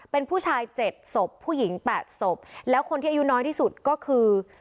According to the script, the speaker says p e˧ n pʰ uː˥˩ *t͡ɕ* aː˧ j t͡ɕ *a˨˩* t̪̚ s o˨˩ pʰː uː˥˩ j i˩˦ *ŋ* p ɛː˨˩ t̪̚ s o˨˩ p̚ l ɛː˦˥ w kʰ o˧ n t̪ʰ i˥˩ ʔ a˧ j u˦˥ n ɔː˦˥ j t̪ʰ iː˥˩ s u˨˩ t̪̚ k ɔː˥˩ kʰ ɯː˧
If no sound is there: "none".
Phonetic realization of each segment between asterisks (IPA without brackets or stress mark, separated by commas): t͡ɕʰ, e˨˩, ŋ